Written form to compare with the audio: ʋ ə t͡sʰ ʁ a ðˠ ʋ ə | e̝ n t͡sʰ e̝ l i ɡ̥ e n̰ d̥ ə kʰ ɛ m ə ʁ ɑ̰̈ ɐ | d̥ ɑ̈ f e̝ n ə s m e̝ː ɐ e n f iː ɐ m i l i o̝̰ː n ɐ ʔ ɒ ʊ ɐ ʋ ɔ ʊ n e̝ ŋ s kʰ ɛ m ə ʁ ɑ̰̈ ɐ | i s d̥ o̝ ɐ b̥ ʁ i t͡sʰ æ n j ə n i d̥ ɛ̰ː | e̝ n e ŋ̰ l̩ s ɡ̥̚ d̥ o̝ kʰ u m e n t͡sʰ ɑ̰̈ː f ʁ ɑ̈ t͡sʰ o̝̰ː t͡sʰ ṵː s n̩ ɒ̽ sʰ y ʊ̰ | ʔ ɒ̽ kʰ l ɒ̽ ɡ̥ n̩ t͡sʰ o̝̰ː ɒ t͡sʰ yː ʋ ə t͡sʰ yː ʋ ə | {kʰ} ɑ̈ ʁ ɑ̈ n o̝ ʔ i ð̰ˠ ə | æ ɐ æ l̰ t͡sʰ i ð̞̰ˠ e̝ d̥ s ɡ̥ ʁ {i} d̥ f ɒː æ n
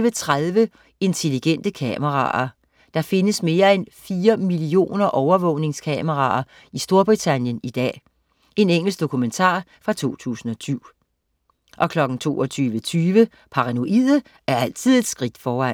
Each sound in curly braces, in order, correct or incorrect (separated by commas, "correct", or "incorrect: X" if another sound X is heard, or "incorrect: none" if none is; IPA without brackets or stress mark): incorrect: pʰ, correct